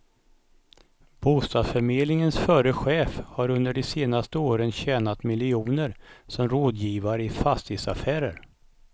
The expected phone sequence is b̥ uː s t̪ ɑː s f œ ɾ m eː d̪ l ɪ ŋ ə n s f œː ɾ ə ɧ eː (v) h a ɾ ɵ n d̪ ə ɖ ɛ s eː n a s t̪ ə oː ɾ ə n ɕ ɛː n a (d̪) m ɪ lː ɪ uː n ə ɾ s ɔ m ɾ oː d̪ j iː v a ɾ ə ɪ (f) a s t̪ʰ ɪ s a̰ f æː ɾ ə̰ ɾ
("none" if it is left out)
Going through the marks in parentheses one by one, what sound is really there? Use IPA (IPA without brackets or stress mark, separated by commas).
f, t̪, f